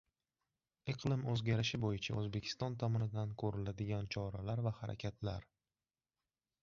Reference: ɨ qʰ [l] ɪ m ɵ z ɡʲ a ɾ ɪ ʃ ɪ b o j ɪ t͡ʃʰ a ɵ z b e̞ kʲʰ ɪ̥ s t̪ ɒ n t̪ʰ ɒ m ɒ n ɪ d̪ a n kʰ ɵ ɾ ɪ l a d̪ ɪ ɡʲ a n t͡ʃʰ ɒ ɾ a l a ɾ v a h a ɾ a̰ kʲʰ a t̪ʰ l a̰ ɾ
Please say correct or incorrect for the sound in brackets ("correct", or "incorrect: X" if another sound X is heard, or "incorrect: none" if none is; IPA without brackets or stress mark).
correct